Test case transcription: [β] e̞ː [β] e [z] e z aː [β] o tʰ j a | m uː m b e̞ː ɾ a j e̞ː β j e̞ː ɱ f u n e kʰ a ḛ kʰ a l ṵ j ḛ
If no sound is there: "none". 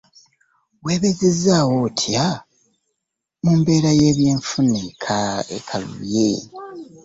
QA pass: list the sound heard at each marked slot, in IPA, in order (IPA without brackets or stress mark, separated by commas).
w, β, z, w